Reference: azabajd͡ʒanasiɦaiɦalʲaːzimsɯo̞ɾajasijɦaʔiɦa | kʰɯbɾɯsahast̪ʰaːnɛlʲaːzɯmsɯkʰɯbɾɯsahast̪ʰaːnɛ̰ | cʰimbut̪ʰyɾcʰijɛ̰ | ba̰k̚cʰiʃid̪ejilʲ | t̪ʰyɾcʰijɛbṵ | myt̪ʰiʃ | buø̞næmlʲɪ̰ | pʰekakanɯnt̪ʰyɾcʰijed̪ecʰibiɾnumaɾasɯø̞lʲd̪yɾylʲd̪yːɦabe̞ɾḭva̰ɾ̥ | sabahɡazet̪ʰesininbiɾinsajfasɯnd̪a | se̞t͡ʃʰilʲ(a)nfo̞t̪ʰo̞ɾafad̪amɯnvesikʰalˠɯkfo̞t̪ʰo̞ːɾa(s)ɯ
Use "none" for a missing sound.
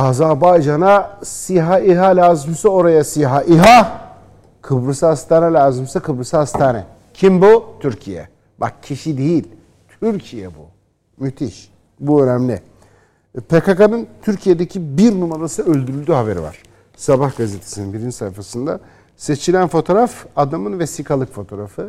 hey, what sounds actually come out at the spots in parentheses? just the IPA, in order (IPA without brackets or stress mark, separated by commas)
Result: æ, f